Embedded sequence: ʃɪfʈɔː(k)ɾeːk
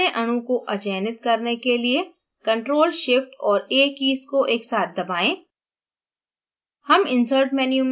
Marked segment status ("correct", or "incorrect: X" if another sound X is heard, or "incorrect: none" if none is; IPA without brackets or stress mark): incorrect: none